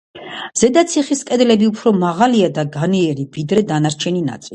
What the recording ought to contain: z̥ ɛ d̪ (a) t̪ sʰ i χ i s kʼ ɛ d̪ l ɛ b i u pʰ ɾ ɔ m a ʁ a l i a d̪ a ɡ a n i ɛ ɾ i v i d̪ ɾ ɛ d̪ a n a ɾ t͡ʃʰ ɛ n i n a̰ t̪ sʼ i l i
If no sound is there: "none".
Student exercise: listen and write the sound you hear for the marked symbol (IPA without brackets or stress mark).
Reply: a